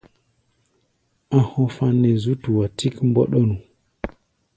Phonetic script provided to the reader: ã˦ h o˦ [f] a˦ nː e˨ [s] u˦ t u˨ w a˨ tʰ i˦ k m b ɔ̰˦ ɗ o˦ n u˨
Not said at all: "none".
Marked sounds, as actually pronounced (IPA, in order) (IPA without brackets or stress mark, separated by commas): f, z